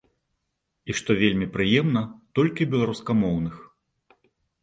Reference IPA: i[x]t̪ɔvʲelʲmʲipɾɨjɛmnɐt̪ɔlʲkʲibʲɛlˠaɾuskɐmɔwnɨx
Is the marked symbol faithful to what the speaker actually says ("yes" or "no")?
no